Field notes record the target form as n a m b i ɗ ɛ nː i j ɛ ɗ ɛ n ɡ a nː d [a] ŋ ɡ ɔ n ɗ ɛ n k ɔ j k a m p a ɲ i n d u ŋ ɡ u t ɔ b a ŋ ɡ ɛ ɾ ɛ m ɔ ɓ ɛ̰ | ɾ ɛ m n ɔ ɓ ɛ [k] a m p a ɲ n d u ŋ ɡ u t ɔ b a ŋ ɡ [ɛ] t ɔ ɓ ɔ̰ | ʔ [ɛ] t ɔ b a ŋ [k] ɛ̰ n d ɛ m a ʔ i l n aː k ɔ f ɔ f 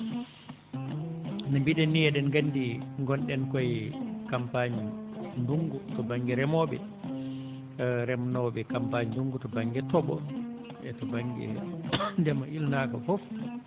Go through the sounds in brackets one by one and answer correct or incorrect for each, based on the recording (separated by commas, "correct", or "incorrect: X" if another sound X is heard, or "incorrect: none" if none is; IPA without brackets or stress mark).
incorrect: i, correct, correct, correct, incorrect: ɡ